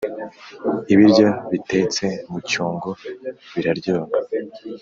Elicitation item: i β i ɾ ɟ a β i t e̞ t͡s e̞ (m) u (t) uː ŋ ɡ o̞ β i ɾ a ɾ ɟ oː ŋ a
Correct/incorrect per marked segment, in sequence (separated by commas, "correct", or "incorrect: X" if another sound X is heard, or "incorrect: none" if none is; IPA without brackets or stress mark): correct, incorrect: c